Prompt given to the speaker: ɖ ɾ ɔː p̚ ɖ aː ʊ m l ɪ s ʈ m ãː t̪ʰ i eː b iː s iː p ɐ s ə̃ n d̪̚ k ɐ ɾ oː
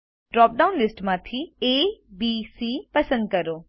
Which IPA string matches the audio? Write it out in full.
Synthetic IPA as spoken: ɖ ɾ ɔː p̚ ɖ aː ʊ n l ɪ s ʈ m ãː t̪ʰ i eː b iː s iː p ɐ s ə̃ n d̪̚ k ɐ ɾ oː